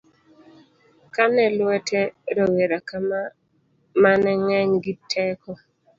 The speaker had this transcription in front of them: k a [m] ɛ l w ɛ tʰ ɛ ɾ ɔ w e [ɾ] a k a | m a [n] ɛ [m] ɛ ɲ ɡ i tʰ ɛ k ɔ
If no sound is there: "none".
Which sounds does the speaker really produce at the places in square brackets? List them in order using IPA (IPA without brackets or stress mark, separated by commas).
n, ɾ, n, ŋ